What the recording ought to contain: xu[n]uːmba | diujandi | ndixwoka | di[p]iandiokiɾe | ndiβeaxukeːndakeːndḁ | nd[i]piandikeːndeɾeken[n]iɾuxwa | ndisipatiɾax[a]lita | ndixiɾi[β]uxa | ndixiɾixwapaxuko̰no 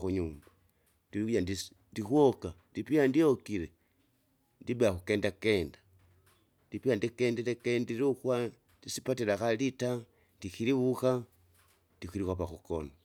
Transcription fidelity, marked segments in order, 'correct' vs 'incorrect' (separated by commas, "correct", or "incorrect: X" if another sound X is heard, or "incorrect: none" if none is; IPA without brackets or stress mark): incorrect: ɲ, correct, correct, incorrect: d, correct, correct